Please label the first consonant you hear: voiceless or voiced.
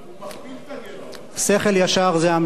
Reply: voiceless